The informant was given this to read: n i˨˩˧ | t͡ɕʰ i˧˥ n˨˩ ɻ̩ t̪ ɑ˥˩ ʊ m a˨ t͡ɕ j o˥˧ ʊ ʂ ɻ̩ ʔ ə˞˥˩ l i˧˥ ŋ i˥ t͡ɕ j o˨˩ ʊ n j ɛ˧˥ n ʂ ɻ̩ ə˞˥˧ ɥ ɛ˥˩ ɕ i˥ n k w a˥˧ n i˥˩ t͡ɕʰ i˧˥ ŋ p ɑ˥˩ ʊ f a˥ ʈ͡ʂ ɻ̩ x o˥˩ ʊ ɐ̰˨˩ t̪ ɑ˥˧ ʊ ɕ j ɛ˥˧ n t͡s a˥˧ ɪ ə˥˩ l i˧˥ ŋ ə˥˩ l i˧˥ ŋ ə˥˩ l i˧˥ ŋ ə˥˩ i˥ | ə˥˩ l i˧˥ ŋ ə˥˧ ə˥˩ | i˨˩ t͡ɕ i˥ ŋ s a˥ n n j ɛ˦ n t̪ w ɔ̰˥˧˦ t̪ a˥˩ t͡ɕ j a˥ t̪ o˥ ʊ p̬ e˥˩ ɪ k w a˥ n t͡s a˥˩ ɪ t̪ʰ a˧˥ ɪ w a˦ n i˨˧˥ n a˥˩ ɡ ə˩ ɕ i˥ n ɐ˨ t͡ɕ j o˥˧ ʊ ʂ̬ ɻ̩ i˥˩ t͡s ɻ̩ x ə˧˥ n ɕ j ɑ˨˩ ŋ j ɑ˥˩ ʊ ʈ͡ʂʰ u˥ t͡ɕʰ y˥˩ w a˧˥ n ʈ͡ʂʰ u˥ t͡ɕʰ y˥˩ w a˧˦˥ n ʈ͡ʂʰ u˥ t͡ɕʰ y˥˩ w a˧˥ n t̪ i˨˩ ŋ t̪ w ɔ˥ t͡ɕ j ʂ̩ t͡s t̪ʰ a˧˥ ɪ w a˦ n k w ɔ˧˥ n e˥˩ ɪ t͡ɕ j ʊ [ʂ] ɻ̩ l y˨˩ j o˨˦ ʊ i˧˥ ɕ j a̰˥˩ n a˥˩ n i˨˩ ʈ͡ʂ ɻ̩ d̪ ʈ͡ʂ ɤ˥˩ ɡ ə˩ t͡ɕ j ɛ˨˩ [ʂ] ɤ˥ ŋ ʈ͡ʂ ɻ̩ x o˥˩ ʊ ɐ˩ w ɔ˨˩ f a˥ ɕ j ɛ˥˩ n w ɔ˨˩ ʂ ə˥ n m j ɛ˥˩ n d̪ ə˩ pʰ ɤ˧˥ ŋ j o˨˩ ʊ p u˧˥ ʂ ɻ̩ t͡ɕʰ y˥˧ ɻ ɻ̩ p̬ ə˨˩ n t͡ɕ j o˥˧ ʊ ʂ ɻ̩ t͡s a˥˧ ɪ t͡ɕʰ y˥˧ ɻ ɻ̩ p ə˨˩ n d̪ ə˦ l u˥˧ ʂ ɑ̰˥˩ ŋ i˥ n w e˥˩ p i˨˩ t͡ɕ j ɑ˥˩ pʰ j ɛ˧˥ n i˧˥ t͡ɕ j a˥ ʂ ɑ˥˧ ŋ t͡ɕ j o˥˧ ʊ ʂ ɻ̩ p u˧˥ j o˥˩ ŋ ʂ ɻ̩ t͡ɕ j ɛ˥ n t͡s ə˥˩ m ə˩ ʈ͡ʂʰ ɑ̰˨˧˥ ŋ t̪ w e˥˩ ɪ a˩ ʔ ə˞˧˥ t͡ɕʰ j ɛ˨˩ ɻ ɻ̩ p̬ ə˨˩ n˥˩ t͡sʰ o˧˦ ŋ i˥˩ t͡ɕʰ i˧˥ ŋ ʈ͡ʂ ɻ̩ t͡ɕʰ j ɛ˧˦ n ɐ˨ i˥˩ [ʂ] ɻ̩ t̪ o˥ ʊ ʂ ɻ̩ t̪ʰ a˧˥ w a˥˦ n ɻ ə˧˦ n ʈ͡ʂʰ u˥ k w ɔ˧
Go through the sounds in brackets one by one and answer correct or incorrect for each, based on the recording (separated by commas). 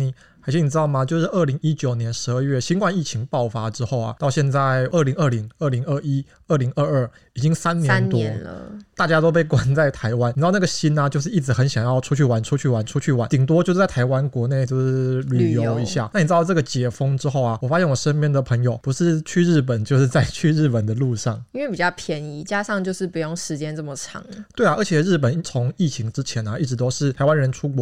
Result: correct, incorrect, incorrect